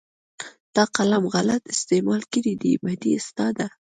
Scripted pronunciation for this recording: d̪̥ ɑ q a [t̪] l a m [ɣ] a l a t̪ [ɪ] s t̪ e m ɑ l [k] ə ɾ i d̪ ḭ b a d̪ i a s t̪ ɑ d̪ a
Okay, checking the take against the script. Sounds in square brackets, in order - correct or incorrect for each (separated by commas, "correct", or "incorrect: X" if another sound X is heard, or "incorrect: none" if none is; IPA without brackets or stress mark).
incorrect: none, correct, correct, correct